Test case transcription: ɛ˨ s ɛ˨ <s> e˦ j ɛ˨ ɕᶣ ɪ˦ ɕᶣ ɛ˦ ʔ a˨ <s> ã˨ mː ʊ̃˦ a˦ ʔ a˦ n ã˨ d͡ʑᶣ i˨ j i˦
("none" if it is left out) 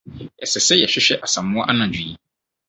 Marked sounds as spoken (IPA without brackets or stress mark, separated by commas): s, s